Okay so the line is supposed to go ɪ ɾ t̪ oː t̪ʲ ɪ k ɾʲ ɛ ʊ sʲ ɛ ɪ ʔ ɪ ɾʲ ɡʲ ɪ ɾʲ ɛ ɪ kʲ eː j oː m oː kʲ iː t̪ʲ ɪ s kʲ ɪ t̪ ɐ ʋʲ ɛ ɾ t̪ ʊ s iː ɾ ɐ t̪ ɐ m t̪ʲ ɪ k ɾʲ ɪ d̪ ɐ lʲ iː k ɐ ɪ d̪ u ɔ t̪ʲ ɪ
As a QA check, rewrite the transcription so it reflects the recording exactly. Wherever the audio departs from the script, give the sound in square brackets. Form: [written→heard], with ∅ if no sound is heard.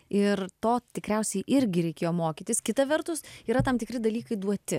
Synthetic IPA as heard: ɪ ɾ t̪ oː t̪ʲ ɪ k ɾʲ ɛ ʊ sʲ ɛ ɪ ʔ ɪ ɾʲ ɡʲ ɪ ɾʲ ɛ ɪ kʲ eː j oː m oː kʲ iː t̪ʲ ɪ s kʲ ɪ t̪ ɐ ʋʲ ɛ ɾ t̪ ʊ s iː ɾ ɐ t̪ ɐ m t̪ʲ ɪ k ɾʲ ɪ d̪ ɐ lʲ iː k ɐ ɪ d̪ u ɔ t̪ʲ ɪ

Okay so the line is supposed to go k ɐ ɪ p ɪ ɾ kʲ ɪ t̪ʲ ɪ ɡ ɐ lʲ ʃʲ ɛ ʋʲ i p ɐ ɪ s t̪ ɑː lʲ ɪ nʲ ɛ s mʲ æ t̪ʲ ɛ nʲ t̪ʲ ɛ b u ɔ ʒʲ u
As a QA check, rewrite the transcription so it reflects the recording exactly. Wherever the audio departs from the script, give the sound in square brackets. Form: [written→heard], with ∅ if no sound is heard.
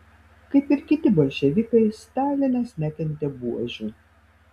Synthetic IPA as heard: k ɐ ɪ p ɪ ɾ kʲ ɪ t̪ʲ ɪ [ɡ→b] ɐ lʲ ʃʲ ɛ ʋʲ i [p→k] ɐ ɪ s t̪ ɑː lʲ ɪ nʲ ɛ s [mʲ→nʲ] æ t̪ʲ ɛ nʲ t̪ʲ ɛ b u ɔ ʒʲ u

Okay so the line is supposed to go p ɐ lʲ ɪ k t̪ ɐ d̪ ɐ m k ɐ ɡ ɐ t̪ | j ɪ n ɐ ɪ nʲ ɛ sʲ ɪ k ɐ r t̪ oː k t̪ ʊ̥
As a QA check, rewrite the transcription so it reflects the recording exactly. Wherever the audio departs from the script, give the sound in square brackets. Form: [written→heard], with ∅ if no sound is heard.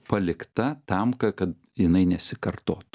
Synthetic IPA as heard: p ɐ lʲ ɪ k t̪ ɐ [d̪→t̪] ɐ m k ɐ [ɡ→k] ɐ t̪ | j ɪ n ɐ ɪ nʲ ɛ sʲ ɪ k ɐ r t̪ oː [k→∅] t̪ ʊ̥

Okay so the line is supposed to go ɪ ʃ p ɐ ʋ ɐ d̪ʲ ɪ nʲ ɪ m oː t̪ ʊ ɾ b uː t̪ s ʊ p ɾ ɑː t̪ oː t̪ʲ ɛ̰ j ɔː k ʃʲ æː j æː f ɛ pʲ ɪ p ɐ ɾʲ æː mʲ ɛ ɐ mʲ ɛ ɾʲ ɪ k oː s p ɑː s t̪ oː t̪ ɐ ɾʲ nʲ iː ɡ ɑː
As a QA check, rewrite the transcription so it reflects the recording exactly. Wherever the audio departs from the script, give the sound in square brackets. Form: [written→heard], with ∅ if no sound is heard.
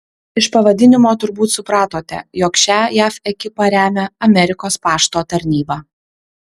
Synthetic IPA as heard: ɪ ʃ p ɐ ʋ ɐ d̪ʲ ɪ nʲ ɪ m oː t̪ ʊ ɾ b uː t̪ s ʊ p ɾ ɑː t̪ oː t̪ʲ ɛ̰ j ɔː k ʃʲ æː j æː f ɛ [pʲ→kʲ] ɪ p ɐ ɾʲ æː mʲ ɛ ɐ mʲ ɛ ɾʲ ɪ k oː s p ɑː [s→ʃ] t̪ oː t̪ ɐ ɾʲ nʲ iː [ɡ→b] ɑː

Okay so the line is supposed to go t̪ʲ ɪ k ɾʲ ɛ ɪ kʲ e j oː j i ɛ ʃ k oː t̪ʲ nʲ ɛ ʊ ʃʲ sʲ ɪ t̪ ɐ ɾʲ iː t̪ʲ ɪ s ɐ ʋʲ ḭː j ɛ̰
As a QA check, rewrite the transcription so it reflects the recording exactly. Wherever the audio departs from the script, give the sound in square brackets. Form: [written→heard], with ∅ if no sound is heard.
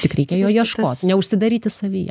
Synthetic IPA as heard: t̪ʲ ɪ k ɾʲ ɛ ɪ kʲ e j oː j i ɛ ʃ k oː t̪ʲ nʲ ɛ ʊ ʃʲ sʲ ɪ [t̪→d̪] ɐ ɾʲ iː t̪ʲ ɪ s ɐ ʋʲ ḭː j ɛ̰

